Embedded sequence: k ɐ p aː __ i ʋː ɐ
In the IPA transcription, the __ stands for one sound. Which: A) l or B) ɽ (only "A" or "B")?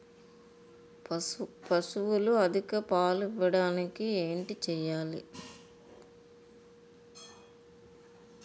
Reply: A